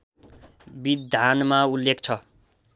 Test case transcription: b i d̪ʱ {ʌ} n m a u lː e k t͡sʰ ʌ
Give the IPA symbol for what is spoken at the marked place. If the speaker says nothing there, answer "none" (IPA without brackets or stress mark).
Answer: a